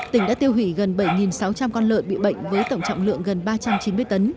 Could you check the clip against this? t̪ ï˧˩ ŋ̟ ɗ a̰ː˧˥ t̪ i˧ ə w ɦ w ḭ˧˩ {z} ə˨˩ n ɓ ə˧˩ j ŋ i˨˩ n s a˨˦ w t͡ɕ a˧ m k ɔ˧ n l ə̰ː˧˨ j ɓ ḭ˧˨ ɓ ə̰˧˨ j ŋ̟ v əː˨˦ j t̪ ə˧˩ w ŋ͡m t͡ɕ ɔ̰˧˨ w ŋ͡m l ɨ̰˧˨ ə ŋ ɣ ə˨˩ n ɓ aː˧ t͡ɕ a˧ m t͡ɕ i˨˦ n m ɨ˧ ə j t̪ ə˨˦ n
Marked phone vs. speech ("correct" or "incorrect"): incorrect